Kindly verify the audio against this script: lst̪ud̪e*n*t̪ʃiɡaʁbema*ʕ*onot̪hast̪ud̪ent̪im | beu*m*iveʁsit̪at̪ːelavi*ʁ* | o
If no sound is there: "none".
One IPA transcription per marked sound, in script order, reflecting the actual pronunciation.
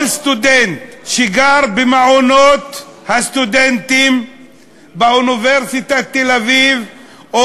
n, ʕ, n, v

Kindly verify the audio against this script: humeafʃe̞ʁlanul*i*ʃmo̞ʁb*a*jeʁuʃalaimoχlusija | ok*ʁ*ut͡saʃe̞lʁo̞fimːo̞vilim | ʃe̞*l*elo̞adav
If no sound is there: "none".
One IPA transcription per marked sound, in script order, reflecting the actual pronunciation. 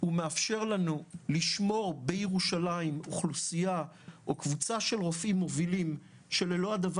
i, e, v, l

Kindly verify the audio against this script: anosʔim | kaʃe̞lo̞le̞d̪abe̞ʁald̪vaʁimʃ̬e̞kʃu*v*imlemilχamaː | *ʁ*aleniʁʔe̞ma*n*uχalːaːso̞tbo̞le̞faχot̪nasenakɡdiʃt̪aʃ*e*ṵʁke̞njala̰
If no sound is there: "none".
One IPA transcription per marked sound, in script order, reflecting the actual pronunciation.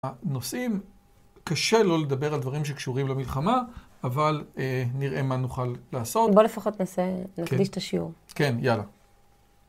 ʁ, v, n, i

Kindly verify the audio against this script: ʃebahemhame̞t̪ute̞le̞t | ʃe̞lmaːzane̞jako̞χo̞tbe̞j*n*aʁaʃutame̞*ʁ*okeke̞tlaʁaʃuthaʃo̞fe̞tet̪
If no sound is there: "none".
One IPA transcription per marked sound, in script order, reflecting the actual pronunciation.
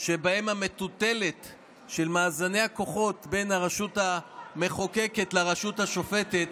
n, χ

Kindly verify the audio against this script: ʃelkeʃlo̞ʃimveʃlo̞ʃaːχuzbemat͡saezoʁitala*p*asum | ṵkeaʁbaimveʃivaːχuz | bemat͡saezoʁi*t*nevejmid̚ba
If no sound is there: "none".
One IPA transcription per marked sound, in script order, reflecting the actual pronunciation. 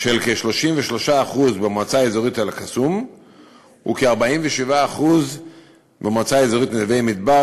k, t

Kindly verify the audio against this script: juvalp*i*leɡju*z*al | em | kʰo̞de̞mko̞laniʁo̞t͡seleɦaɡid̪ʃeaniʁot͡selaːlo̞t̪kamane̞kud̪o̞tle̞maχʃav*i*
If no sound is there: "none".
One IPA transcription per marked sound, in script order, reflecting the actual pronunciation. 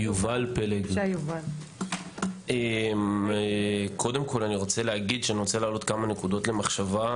e, v, a

